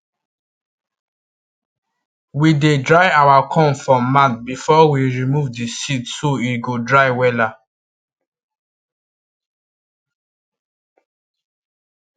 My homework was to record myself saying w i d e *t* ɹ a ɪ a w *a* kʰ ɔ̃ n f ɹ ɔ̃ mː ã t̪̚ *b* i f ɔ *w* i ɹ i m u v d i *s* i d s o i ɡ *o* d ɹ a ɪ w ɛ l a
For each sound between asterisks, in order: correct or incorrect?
incorrect, correct, correct, correct, correct, correct

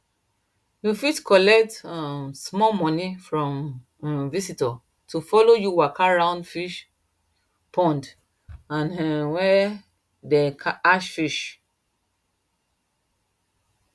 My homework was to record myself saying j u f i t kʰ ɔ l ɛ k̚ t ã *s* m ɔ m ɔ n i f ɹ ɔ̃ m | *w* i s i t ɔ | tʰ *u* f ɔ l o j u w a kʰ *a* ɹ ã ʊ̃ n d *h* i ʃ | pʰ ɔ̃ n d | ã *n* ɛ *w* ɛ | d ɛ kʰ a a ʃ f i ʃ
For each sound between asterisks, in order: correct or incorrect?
correct, incorrect, correct, correct, incorrect, correct, correct

